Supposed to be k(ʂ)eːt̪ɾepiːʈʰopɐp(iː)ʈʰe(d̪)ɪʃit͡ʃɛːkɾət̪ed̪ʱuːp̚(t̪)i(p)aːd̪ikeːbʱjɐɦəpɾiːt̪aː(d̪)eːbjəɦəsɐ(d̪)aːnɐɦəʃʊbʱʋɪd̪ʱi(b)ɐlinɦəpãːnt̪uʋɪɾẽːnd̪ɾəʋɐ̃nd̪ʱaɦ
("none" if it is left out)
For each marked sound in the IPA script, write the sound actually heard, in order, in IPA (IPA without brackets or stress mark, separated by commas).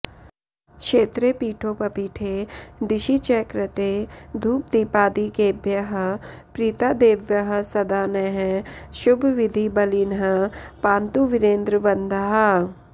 ʃ, iː, d̪, d̪, p, d̪, d̪, b